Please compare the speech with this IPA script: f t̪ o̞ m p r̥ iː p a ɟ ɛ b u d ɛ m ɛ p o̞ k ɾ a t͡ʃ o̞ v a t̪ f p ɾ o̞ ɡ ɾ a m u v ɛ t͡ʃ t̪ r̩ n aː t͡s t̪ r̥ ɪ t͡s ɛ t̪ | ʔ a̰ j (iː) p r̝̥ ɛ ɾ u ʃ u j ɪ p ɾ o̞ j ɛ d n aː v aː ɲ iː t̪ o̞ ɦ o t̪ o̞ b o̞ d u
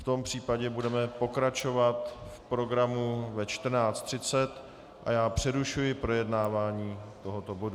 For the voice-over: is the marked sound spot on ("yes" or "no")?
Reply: no